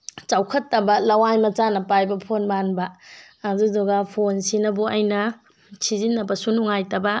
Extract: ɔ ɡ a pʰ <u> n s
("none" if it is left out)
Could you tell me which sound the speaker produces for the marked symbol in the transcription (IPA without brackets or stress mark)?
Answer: o